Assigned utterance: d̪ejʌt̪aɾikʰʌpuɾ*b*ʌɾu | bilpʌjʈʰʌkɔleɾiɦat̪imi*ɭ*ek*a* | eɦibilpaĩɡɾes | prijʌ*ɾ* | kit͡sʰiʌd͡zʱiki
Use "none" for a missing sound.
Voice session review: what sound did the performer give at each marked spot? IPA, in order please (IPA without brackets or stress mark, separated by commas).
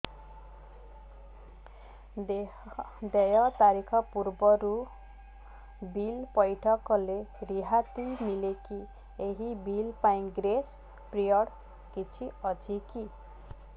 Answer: b, l, i, ɽ